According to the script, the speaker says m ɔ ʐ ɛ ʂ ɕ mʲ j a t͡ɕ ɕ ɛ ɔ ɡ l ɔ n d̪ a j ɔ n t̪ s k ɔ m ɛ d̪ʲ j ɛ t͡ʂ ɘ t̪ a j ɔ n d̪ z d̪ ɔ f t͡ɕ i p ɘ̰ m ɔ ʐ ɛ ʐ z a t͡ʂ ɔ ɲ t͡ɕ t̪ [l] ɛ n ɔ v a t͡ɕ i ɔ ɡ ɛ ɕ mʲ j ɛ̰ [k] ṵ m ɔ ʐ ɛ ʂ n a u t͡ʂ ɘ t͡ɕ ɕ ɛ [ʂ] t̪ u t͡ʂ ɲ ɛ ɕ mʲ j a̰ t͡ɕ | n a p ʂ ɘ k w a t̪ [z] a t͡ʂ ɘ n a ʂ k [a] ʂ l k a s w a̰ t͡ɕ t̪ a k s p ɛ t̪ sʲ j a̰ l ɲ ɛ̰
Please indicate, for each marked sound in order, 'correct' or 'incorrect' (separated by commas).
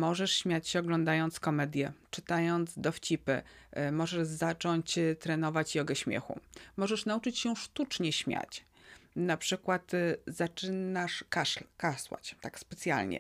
incorrect, incorrect, correct, correct, correct